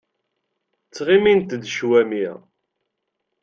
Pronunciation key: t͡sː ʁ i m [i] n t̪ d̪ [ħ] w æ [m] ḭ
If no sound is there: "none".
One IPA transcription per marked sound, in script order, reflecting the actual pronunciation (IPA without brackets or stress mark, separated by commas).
i, ʃ, m